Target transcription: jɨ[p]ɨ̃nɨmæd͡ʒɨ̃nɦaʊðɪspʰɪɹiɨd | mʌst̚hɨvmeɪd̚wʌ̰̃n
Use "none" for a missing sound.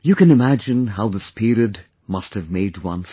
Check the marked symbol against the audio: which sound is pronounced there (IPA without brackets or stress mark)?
k